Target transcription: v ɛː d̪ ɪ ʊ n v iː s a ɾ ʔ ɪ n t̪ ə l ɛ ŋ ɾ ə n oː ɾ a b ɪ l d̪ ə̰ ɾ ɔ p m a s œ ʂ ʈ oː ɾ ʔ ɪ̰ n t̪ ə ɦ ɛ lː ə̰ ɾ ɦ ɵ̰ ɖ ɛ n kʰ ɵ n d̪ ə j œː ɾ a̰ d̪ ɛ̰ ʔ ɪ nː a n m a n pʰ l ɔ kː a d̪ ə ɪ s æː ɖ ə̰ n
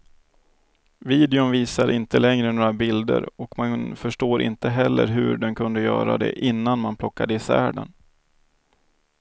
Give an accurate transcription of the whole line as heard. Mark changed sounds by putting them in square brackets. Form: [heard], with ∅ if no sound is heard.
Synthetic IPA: v [iː] d̪ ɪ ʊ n v iː s a ɾ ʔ ɪ n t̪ ə l ɛ ŋ ɾ ə n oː ɾ a b ɪ l d̪ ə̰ ɾ ɔ [k] m a [f] œ ʂ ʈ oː ɾ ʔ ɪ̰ n t̪ ə ɦ ɛ lː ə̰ ɾ ɦ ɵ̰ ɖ ɛ n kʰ ɵ n d̪ ə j œː ɾ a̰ d̪ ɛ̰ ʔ ɪ nː a n m a n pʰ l ɔ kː a d̪ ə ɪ s æː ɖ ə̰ n

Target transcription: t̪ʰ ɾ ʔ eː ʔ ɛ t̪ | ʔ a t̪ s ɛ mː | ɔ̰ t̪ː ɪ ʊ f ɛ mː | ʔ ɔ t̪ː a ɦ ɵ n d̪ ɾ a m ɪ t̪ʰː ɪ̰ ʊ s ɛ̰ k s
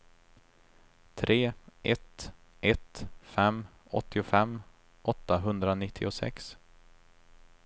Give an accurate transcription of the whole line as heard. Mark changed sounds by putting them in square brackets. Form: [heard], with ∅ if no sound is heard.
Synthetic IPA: t̪ʰ ɾ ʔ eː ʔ ɛ t̪ | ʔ [ɛ] t̪ [f] ɛ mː | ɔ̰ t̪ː ɪ ʊ f ɛ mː | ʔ ɔ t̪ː a ɦ ɵ n d̪ ɾ a [n] ɪ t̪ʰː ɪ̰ ʊ s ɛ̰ k s

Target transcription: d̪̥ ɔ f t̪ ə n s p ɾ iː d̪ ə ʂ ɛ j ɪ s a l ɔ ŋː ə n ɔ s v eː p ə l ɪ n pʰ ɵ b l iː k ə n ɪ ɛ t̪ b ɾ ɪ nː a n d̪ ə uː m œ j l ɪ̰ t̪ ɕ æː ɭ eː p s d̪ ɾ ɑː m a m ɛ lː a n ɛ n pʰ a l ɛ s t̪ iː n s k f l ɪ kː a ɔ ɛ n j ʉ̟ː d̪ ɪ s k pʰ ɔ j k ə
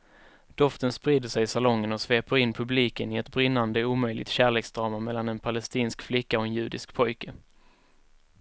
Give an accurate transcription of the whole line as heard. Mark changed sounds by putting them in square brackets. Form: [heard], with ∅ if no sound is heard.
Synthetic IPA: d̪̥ ɔ f t̪ ə n s p ɾ iː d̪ ə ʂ ɛ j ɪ s a l ɔ ŋː ə n ɔ s v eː p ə [ɾ] ɪ n pʰ ɵ b l iː k ə n ɪ ɛ t̪ b ɾ ɪ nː a n d̪ ə uː m œ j l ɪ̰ t̪ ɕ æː ɭ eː [k] s d̪ ɾ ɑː m a m ɛ lː a n ɛ n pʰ a l ɛ s t̪ iː n s k f l ɪ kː a ɔ ɛ n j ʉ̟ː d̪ ɪ s k pʰ ɔ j k ə

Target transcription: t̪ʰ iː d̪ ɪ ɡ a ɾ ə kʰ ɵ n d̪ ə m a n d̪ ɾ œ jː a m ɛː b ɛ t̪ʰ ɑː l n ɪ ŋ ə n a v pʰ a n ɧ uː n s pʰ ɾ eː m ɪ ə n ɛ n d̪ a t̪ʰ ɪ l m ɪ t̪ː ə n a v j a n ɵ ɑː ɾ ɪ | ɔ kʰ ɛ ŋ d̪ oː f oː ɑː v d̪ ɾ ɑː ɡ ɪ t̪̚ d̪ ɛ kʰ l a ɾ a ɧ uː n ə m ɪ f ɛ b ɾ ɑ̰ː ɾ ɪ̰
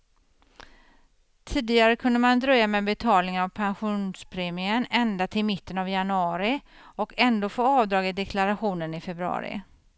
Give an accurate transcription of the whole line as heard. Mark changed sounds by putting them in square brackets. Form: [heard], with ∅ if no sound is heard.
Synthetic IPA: t̪ʰ iː d̪ ɪ ɡ a ɾ ə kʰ ɵ n d̪ ə m a n d̪ ɾ œ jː a m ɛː b ɛ t̪ʰ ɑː l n ɪ ŋ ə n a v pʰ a n ɧ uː n s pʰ ɾ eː m ɪ ə n ɛ n d̪ a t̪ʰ ɪ l m ɪ t̪ː ə n a v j a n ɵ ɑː ɾ ɪ | ɔ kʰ ɛ [n] d̪ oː f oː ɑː v d̪ ɾ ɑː ɡ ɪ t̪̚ d̪ ɛ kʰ l a ɾ a ɧ uː n ə [n] ɪ f ɛ b ɾ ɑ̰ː ɾ ɪ̰

